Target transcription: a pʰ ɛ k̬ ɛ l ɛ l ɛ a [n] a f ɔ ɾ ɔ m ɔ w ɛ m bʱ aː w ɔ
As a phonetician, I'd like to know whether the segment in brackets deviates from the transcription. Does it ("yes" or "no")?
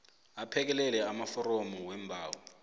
yes